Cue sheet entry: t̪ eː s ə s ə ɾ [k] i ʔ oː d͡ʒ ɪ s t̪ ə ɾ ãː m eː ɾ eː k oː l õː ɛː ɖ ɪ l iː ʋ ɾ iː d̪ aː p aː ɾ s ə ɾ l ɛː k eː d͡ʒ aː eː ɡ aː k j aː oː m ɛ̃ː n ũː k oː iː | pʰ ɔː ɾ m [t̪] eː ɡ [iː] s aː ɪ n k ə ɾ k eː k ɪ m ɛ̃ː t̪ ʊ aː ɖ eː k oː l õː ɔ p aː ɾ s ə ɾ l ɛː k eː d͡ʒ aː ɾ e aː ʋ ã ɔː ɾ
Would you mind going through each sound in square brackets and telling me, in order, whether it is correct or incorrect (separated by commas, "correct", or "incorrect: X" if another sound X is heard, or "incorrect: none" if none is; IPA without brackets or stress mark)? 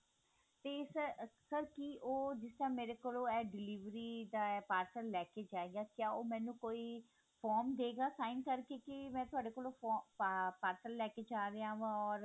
correct, incorrect: d̪, incorrect: aː